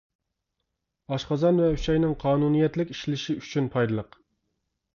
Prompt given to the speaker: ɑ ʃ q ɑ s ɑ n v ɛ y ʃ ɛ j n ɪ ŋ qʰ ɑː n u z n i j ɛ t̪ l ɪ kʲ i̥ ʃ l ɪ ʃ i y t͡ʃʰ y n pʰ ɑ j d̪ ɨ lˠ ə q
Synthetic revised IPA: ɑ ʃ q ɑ z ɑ n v ɛ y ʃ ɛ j n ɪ ŋ qʰ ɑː n u n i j ɛ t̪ l ɪ kʲ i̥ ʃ l ɪ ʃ i y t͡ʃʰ y n pʰ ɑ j d̪ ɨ lˠ ə q

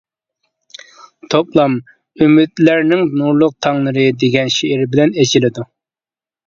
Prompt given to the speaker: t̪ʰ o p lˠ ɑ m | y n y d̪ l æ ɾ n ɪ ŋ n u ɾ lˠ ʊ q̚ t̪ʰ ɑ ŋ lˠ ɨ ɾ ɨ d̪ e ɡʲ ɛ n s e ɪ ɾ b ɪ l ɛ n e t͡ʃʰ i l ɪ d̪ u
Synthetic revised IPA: t̪ʰ o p lˠ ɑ m | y m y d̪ l æ ɾ n ɪ ŋ n u ɾ lˠ ʊ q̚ t̪ʰ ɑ ŋ lˠ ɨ ɾ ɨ d̪ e ɡʲ ɛ n ʃ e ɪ ɾ b ɪ l ɛ n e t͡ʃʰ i l ɪ d̪ u

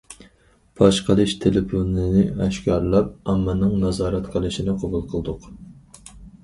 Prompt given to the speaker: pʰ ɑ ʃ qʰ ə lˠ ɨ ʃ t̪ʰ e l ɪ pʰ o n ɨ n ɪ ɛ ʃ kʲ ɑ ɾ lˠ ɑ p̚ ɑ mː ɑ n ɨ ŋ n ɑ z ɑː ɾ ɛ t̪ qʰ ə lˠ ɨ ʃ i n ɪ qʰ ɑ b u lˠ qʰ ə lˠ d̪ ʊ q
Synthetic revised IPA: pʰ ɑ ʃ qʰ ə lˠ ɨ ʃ t̪ʰ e l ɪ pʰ o n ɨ n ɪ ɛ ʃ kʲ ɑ ɾ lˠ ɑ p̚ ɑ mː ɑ n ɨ ŋ n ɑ z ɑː ɾ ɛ t̪ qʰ ə lˠ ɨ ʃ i n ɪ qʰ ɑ b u lˠ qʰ ə lˠ d̪ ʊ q

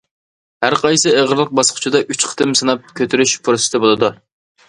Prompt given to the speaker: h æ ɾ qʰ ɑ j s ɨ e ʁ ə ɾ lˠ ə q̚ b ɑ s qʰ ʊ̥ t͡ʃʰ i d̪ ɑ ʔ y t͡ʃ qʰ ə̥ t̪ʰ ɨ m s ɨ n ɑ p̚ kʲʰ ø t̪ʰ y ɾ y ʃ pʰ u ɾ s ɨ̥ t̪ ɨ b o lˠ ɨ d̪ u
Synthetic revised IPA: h æ ɾ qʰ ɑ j s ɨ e ʁ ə ɾ lˠ ə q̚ b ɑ s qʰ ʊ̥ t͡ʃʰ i d̪ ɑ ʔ y t͡ʃ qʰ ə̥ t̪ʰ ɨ m s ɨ n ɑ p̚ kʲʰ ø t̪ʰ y ɾ y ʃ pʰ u ɾ s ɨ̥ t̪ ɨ b o lˠ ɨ d̪ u

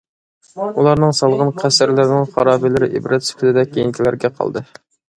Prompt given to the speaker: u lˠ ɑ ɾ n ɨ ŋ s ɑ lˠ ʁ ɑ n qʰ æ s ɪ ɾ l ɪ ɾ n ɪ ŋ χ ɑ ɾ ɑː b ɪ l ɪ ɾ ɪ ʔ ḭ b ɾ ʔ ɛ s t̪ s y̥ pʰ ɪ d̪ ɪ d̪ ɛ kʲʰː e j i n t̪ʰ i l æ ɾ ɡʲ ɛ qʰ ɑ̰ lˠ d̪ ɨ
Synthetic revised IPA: u lˠ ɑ ɾ n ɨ ŋ s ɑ lˠ ʁ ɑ n qʰ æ s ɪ ɾ l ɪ ɾ n ɪ ŋ χ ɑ ɾ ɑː b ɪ l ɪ ɾ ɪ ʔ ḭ b ɾ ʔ ɛ t̪ s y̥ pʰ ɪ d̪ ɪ d̪ ɛ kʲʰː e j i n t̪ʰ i l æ ɾ ɡʲ ɛ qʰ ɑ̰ lˠ d̪ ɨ

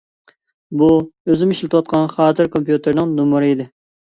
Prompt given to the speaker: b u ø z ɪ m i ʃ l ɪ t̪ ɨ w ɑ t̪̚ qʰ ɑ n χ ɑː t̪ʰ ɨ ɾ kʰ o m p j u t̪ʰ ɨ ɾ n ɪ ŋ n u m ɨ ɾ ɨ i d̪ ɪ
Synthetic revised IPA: b u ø z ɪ m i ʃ l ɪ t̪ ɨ w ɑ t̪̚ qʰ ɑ n χ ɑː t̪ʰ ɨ ɾ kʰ o m p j u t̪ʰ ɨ ɾ n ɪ ŋ n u m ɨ ɾ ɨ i d̪ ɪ

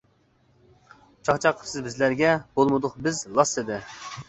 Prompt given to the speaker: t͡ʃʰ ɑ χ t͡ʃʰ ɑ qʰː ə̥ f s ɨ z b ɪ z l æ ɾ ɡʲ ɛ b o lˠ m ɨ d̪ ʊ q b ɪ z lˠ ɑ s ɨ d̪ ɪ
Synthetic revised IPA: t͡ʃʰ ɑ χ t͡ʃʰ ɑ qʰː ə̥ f s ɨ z b ɪ z l æ ɾ ɡʲ ɛ b o lˠ m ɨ d̪ ʊ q b ɪ z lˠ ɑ s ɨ d̪ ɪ

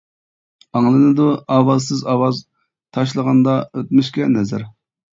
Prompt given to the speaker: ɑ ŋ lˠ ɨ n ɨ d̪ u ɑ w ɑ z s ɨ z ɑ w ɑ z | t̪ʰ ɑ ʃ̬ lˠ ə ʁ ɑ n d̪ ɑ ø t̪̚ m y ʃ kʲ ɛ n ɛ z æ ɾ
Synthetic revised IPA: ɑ ŋ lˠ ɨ n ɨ d̪ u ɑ w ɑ z s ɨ z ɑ w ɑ z | t̪ʰ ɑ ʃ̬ lˠ ə ʁ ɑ n d̪ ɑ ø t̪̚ m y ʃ kʲ ɛ n ɛ z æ ɾ

